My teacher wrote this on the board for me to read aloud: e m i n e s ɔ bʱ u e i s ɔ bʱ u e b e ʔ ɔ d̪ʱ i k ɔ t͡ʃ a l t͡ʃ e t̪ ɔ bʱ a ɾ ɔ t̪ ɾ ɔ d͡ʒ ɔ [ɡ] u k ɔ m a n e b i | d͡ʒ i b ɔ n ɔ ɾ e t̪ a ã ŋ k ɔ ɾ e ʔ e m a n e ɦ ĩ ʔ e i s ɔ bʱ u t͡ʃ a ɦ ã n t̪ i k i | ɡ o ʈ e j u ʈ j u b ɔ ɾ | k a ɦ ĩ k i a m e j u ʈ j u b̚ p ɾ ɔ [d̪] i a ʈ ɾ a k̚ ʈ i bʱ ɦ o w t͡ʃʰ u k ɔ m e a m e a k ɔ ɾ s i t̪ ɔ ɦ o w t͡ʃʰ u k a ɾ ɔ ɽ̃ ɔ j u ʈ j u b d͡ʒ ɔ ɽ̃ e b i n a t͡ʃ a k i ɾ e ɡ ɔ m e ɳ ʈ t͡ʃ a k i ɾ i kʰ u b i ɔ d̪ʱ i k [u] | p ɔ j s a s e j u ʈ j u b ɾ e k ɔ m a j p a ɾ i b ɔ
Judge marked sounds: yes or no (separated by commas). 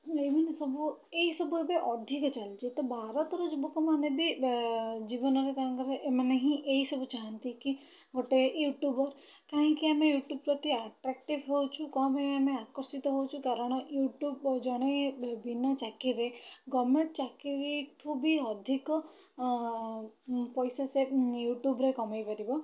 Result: no, no, no